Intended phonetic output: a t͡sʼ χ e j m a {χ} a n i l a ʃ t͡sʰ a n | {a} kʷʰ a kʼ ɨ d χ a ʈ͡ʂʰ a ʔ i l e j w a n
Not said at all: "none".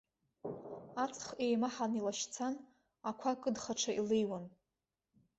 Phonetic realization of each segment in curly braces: ħ, a

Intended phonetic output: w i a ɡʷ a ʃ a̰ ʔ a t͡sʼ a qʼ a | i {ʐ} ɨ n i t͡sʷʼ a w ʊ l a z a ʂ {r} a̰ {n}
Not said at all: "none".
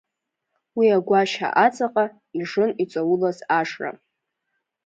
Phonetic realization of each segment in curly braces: ʐ, r, none

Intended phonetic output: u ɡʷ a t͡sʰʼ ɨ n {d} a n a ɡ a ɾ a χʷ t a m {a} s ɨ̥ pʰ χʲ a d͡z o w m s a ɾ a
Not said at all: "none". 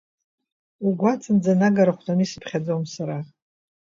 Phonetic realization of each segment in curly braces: d͡z, i

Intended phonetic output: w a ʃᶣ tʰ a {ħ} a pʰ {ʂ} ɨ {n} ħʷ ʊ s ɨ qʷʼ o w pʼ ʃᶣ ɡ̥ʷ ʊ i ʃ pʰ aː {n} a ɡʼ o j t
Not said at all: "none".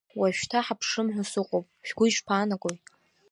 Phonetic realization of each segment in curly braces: ħ, ʂ, m, n

